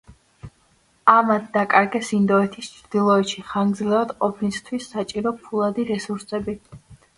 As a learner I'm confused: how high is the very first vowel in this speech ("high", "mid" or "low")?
low